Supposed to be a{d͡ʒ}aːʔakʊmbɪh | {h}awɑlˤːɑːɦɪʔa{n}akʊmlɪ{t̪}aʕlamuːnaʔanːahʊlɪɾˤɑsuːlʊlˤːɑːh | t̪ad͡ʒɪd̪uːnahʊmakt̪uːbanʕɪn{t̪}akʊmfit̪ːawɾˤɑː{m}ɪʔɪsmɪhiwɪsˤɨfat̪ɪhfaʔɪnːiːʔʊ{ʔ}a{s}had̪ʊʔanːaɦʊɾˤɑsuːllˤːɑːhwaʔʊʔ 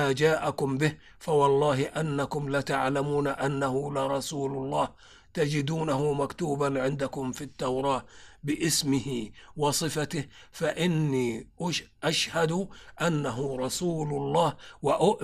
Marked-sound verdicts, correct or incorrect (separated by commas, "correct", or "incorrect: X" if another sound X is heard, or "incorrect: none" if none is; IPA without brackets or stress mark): correct, incorrect: f, incorrect: nː, correct, incorrect: d̪, incorrect: b, correct, incorrect: ʃ